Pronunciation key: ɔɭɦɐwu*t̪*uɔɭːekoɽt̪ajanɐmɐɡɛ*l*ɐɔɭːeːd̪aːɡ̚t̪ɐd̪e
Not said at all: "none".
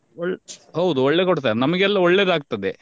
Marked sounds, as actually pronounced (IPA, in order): d̪, lː

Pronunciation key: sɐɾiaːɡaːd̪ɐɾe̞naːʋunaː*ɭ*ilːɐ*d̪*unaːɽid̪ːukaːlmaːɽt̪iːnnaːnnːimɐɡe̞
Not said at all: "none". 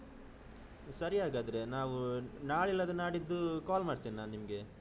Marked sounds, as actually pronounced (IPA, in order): ɭ, d̪

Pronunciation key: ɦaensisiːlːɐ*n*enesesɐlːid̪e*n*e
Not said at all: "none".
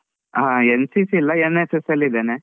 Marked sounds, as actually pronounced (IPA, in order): none, n

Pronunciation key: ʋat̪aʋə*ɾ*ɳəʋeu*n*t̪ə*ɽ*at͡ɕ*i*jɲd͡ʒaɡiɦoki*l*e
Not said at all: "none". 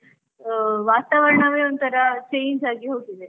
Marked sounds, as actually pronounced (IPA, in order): ɾ, n, ɾ, e, l

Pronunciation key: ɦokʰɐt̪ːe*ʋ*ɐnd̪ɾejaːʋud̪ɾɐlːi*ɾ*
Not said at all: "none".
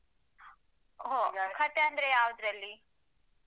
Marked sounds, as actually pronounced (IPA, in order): none, none

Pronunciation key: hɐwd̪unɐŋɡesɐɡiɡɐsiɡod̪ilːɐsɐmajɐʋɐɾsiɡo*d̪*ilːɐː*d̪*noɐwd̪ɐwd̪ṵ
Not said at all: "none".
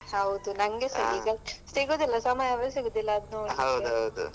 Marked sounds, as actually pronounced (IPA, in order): d̪, d̪

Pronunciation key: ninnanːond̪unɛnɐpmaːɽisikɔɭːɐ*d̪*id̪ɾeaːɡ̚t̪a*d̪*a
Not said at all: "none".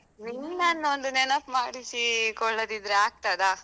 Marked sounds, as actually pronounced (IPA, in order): d̪, d̪

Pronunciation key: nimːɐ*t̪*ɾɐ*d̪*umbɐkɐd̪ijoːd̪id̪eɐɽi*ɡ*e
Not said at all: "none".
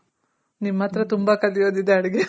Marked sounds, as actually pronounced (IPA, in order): t̪, t̪, ɡ

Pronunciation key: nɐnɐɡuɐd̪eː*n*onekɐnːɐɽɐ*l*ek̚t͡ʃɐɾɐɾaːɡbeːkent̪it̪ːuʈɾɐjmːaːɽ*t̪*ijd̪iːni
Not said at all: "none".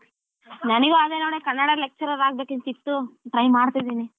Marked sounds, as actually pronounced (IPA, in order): n, l, t̪

